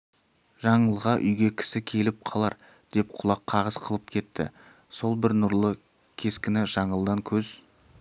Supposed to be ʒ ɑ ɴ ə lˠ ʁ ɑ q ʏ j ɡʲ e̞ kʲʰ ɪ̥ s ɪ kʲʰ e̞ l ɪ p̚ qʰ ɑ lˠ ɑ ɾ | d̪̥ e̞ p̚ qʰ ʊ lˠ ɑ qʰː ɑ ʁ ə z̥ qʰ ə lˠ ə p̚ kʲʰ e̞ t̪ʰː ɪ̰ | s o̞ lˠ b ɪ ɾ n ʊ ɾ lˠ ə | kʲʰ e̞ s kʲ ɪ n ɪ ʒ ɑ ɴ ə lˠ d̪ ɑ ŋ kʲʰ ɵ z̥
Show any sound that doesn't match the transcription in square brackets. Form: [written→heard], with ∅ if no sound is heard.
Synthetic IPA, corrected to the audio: ʒ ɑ ɴ ə lˠ ʁ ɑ [q→ʔ] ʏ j ɡʲ e̞ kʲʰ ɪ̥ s ɪ kʲʰ e̞ l ɪ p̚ qʰ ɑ lˠ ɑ ɾ | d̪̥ e̞ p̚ qʰ ʊ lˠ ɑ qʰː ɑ ʁ ə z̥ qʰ ə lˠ ə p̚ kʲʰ e̞ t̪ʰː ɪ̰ | s o̞ lˠ b ɪ ɾ n ʊ ɾ lˠ ə | kʲʰ e̞ s kʲ ɪ n ɪ ʒ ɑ ɴ ə lˠ d̪ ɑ ŋ kʲʰ ɵ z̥